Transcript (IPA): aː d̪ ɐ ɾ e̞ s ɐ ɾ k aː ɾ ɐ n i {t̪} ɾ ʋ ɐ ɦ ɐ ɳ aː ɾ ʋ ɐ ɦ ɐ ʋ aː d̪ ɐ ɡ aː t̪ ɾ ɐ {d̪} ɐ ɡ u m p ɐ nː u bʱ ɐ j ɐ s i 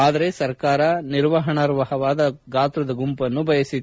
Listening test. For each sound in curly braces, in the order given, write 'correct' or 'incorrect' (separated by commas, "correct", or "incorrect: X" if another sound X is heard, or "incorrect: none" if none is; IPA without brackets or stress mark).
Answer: incorrect: none, correct